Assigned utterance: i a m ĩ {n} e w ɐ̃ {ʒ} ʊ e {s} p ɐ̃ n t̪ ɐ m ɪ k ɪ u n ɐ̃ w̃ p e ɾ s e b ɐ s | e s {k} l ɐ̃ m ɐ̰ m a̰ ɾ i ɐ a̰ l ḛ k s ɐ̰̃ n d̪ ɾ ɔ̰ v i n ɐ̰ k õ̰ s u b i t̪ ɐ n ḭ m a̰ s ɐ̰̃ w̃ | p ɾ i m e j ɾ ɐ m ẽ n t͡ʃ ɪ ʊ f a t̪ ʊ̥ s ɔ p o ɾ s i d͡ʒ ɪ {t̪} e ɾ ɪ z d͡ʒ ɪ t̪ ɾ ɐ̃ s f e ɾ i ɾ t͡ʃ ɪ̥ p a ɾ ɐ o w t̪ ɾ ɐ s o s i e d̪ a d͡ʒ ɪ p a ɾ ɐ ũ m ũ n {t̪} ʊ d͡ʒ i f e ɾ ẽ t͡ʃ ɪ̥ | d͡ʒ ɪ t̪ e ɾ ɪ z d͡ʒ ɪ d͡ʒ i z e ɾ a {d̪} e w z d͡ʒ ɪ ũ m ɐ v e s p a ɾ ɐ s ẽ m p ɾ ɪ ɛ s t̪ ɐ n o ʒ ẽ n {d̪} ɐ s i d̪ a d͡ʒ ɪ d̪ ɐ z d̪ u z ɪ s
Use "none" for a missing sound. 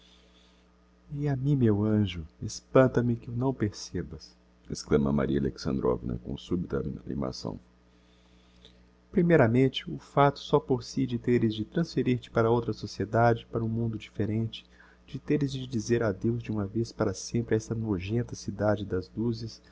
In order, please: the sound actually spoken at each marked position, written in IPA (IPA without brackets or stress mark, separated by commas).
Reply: m, ʒ, s, k, t̪, d̪, d̪, t̪